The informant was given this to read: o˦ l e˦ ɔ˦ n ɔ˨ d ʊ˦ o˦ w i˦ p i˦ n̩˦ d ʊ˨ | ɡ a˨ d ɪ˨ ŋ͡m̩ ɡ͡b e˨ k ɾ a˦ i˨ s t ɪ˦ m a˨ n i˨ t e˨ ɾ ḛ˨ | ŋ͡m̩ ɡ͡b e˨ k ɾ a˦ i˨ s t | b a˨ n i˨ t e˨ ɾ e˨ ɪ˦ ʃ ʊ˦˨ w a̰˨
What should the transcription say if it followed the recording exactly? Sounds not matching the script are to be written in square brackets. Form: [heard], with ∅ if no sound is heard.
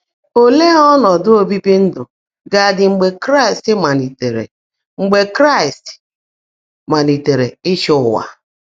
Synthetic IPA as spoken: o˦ l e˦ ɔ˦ n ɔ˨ d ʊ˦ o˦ [b] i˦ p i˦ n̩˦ d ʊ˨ | ɡ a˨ d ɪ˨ ŋ͡m̩ ɡ͡b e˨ k ɾ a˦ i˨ s t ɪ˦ m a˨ n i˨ t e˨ ɾ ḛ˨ | ŋ͡m̩ ɡ͡b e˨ k ɾ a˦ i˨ s t | [m] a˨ n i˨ t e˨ ɾ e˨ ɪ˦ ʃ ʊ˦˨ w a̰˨